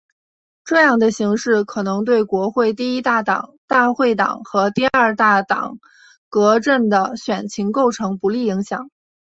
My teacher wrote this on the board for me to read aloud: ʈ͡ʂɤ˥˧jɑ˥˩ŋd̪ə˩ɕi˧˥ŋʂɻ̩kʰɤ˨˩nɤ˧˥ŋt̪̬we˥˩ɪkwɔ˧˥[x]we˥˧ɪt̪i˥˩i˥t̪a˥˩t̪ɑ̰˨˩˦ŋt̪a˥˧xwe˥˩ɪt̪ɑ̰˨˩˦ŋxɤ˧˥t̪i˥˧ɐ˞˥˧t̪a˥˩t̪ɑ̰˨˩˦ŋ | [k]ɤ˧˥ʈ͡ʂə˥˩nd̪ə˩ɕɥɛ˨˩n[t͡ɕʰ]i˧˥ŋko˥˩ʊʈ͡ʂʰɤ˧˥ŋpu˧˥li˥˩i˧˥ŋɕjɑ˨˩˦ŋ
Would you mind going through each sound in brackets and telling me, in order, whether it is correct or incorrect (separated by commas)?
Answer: correct, correct, correct